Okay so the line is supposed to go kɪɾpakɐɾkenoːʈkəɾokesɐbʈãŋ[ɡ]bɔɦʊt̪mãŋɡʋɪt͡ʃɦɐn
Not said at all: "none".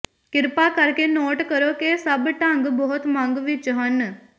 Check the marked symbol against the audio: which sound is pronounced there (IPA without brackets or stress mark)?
ɡ